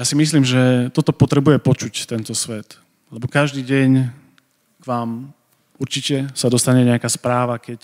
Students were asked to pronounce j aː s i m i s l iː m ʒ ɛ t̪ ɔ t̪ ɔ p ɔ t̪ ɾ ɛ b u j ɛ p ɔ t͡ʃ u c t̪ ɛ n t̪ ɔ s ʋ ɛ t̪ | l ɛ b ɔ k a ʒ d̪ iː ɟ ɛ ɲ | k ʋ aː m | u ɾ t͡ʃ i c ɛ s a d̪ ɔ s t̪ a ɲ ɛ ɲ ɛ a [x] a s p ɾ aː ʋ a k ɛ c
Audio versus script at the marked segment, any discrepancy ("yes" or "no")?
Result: yes